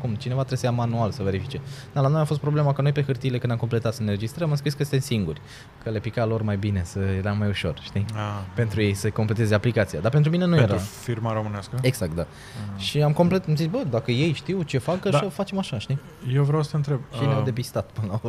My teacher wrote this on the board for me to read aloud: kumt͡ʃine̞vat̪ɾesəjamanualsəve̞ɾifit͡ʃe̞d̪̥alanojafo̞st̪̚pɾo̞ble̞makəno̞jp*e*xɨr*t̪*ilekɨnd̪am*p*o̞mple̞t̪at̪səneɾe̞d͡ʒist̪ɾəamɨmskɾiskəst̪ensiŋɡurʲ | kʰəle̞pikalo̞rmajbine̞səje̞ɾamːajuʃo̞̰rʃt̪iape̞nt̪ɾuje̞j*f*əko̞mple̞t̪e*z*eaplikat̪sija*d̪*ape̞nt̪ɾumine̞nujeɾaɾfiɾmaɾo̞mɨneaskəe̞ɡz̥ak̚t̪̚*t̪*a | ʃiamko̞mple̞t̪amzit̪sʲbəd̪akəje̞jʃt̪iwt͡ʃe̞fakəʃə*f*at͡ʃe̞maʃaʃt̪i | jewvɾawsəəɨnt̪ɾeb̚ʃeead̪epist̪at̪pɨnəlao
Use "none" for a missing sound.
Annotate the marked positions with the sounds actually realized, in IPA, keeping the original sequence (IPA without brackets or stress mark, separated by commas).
e, t̪, k, s, z, d̪, d̪, f